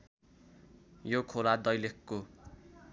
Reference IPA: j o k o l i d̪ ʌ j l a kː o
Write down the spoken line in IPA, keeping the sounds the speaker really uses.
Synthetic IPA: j o kʰ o l a d̪ ʌ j l e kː o